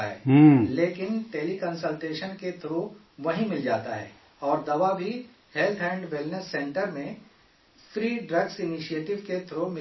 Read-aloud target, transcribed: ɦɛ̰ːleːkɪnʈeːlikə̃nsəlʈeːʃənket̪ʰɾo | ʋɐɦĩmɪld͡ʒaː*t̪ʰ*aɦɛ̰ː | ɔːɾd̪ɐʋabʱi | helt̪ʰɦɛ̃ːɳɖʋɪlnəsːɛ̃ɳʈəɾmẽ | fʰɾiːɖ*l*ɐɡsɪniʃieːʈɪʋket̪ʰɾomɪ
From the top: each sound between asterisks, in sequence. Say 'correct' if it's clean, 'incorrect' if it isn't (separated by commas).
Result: incorrect, incorrect